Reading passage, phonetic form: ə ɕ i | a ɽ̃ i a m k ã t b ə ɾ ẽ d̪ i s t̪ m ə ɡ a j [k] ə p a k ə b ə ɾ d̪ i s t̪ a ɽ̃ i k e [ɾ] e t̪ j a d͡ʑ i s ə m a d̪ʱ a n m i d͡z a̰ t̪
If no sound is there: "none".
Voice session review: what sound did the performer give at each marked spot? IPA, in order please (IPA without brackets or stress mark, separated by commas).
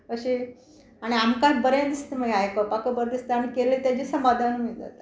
k, l